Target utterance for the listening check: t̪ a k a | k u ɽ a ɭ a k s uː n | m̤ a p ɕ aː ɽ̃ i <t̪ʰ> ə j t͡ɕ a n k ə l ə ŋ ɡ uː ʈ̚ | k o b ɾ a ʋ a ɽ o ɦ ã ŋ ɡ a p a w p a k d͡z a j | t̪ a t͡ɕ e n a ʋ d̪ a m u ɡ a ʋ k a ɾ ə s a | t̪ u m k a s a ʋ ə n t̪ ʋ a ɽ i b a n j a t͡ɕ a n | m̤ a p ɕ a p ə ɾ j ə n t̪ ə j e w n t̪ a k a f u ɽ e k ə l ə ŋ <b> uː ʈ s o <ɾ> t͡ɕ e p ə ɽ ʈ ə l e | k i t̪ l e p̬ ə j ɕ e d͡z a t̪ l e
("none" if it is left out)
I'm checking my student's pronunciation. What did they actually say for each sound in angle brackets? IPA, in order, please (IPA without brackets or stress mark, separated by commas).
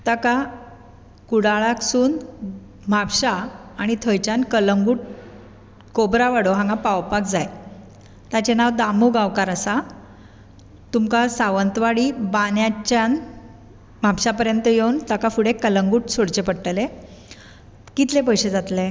t̪ʰ, ɡ, ɽ